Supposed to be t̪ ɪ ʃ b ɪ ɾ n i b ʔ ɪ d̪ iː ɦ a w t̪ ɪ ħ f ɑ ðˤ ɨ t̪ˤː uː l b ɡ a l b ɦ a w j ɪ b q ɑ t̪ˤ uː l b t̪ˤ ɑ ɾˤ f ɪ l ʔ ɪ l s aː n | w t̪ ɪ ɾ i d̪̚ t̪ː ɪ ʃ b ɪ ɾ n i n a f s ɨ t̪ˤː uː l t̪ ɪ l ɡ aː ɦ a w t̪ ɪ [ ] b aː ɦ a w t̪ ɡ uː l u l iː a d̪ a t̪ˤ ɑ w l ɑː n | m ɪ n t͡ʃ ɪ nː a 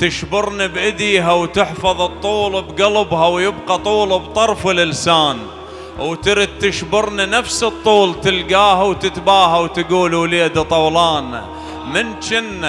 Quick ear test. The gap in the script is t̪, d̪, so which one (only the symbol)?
t̪